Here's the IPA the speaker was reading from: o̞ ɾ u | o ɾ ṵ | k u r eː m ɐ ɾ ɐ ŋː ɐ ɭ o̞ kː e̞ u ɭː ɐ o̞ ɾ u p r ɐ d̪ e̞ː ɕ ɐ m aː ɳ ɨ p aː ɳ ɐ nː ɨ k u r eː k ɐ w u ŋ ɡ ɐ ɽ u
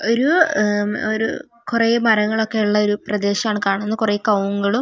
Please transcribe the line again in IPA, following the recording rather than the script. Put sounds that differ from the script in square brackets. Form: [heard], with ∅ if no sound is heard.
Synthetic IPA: o̞ ɾ u | o ɾ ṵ | k u r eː m ɐ ɾ ɐ ŋː ɐ ɭ o̞ kː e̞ u ɭː ɐ o̞ ɾ u p r ɐ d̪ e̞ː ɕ ɐ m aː ɳ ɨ [k] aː ɳ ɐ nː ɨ k u r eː k ɐ w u ŋ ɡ ɐ [ɭ] u